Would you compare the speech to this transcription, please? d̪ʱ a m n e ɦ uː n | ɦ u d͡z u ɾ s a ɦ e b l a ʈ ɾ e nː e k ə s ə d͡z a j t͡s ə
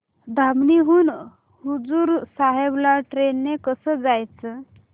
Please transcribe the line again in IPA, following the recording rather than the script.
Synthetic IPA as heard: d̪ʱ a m n i ɦ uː n | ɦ u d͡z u ɾ s a ɦ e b l a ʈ ɾ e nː e k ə s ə d͡z a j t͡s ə